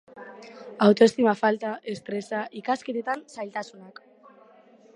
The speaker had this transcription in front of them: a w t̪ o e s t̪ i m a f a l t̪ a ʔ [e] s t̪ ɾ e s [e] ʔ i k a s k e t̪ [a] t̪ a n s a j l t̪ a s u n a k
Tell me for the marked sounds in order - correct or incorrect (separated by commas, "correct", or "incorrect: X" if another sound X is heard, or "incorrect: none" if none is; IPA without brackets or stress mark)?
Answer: correct, incorrect: a, incorrect: e